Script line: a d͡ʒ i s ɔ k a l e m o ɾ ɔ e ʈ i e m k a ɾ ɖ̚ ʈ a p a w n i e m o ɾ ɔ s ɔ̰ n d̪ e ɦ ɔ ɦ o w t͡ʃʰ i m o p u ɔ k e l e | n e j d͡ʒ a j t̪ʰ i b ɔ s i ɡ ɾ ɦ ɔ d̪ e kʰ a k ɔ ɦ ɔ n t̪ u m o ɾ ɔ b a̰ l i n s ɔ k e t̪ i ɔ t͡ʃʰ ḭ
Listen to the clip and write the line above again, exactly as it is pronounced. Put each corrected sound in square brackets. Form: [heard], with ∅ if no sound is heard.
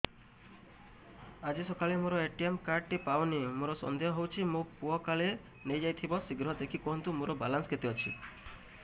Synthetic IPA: a d͡ʒ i s ɔ k a l e m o ɾ ɔ e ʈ i e m k a ɾ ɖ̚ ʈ [i] p a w n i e m o ɾ ɔ s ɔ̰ n d̪ e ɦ ɔ ɦ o w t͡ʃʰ i m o p u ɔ k [a] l e | n e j d͡ʒ a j t̪ʰ i b ɔ s i ɡ ɾ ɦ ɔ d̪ e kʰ [i] k ɔ ɦ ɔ n t̪ u m o ɾ ɔ b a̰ l [a] n s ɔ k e t̪ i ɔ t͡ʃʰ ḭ